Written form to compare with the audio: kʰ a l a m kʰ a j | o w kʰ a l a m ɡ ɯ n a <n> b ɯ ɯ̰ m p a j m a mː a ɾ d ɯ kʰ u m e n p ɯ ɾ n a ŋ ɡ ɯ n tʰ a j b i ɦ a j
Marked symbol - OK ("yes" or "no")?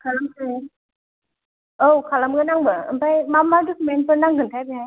no